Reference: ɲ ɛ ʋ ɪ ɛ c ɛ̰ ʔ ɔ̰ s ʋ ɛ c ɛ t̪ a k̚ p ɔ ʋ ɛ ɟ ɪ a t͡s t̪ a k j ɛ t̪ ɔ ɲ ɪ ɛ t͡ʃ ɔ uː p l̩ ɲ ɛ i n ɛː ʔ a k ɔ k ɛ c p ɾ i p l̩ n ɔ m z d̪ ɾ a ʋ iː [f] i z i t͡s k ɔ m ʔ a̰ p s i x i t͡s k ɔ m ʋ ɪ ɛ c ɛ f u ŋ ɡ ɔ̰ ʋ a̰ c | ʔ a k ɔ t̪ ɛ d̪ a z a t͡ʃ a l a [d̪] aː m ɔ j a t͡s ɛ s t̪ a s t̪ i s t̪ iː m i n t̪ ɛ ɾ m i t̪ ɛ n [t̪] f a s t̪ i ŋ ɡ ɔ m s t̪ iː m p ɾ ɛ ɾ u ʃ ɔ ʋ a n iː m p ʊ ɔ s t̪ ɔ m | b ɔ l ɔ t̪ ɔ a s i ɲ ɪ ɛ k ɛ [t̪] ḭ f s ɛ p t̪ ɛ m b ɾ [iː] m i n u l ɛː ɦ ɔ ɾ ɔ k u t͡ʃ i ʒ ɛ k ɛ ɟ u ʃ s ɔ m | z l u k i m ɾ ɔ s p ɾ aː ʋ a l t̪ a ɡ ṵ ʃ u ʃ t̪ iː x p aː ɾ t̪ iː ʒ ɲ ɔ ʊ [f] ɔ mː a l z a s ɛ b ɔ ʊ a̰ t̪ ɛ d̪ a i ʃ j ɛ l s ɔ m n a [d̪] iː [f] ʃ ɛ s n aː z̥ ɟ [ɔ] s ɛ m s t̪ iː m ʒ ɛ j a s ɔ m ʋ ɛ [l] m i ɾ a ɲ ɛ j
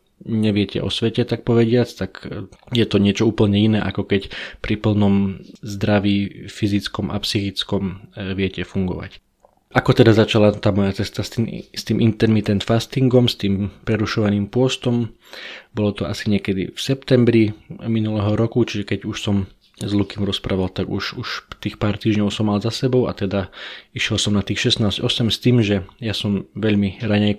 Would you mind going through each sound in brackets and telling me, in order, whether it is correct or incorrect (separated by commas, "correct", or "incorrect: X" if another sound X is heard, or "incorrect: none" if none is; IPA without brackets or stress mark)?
correct, incorrect: t̪, correct, incorrect: d̪, incorrect: i, incorrect: s, incorrect: t̪, incorrect: x, correct, incorrect: ʎ